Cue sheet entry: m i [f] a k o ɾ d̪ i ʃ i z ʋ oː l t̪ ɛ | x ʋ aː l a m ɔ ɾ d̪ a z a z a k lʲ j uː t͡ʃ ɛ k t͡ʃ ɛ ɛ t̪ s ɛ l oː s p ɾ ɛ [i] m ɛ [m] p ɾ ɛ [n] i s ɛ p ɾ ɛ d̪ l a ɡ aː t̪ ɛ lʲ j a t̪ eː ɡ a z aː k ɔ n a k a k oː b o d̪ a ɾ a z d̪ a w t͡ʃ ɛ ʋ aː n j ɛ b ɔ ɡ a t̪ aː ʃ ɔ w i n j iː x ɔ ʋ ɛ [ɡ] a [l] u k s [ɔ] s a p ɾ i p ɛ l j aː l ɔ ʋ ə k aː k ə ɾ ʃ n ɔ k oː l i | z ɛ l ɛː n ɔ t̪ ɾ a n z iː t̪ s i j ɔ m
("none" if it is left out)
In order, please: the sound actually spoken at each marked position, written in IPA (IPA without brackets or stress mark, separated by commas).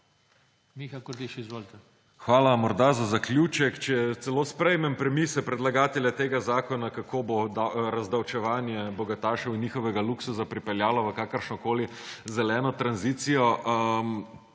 x, j, m, m, ɡ, l, u